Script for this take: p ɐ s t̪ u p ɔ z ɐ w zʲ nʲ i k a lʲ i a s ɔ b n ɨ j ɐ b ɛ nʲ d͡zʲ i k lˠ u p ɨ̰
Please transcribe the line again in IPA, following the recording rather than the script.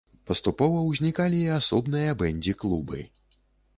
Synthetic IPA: p ɐ s t̪ u p ɔ v ɐ w zʲ nʲ i k a lʲ i a s ɔ b n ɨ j ɐ b ɛ nʲ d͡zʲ i k lˠ u b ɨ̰